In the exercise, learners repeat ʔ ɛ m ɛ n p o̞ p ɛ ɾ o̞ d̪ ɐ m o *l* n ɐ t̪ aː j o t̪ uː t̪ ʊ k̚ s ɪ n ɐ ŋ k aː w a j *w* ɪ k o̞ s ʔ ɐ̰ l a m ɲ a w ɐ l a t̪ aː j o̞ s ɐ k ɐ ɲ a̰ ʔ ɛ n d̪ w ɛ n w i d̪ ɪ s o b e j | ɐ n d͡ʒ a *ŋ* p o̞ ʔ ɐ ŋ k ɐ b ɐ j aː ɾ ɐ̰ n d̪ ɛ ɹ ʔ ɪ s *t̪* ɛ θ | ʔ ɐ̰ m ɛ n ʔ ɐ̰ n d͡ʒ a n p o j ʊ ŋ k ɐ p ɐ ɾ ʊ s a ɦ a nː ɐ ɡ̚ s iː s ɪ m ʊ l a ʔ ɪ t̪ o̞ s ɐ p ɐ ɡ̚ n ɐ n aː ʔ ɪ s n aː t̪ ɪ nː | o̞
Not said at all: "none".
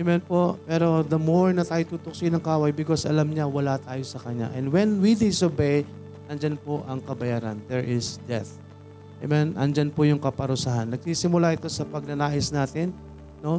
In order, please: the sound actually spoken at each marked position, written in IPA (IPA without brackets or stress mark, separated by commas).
ɹ, b, n, d̪